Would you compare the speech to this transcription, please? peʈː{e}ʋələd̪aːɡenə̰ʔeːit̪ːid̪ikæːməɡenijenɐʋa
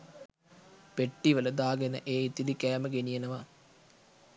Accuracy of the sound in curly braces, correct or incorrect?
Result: incorrect